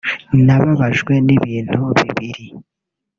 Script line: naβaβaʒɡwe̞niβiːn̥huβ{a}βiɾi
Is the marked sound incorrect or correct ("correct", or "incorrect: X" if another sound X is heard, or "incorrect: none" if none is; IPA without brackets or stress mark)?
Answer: incorrect: i